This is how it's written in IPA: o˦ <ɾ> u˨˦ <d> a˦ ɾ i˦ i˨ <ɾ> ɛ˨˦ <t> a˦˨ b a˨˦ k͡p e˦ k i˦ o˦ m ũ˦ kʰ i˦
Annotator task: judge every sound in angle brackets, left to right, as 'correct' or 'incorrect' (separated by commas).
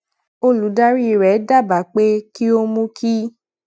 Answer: incorrect, correct, correct, incorrect